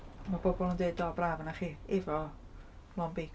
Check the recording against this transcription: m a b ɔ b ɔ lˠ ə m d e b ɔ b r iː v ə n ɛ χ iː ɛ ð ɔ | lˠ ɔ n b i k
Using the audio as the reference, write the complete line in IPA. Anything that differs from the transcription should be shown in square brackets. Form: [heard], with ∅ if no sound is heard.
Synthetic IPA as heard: m a b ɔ b ɔ lˠ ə [n] d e [d] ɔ b r [aː] v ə n [a] χ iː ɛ [v] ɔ | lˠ ɔ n b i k